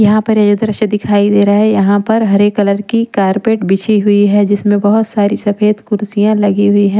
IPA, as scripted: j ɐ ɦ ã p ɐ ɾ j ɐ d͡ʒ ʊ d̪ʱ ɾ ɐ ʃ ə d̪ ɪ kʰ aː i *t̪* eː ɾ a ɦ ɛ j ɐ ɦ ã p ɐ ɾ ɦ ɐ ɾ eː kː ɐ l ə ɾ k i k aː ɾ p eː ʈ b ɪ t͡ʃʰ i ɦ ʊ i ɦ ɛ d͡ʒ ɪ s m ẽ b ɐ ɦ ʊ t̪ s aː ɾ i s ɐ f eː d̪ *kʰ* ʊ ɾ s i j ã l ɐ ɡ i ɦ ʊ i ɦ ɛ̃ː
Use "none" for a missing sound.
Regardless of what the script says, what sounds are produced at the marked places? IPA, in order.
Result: d̪, k

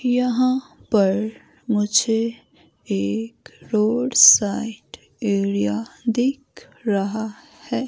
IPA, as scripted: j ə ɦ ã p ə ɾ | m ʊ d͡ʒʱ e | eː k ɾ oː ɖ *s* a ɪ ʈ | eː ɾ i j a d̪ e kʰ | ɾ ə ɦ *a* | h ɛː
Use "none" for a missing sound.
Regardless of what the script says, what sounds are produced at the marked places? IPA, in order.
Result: s, a

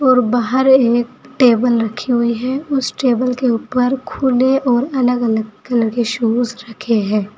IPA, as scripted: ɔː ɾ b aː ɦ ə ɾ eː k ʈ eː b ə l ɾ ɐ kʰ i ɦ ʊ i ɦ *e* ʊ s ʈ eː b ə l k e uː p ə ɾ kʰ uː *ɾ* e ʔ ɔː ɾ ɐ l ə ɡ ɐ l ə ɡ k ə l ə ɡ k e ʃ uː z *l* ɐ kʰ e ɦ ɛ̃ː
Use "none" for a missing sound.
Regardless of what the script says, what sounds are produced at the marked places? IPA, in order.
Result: ɛ, l, ɾ

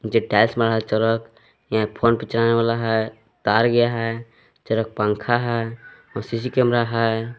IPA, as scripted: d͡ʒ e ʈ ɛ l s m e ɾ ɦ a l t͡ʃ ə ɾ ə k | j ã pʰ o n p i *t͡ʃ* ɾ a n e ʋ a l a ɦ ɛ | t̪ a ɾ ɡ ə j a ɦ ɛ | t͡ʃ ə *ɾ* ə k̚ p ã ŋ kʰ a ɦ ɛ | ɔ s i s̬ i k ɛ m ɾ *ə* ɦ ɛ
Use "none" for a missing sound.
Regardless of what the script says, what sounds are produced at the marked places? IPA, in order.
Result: t͡ʃ, ɾ, a

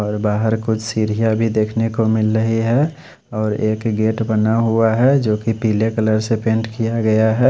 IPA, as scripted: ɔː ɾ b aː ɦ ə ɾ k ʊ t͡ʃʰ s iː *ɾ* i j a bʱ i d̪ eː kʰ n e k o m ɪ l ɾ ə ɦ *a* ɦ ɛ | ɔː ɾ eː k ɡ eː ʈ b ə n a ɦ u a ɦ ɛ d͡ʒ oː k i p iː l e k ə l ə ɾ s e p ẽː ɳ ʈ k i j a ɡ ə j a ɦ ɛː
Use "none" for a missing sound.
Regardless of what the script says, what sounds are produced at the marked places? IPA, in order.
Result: ɾ, i

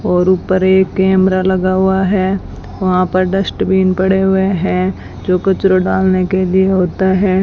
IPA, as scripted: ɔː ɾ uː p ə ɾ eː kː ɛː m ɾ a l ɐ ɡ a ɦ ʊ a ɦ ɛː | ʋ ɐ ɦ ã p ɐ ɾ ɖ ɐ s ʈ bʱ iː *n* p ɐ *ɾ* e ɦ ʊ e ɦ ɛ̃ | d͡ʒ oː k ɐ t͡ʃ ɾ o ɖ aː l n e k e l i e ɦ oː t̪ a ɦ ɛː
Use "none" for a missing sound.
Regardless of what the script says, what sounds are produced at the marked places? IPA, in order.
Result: n, ɽ

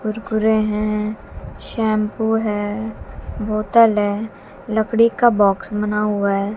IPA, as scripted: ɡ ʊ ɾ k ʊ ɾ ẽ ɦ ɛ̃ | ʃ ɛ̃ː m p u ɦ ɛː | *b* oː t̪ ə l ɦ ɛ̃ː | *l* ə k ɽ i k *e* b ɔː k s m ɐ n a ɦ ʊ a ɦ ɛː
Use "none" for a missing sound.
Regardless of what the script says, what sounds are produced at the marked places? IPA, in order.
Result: b, l, a

